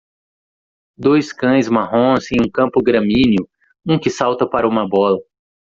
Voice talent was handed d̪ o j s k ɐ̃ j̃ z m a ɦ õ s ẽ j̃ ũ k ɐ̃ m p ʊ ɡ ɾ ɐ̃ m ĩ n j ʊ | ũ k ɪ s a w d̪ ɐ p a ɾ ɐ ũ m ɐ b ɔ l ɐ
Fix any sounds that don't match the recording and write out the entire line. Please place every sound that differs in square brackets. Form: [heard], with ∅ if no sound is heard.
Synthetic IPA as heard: d̪ o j s k ɐ̃ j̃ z m a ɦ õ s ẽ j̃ ũ k ɐ̃ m p ʊ ɡ ɾ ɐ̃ m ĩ n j ʊ | ũ k ɪ s a w [t̪] ɐ p a ɾ ɐ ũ m ɐ b ɔ l ɐ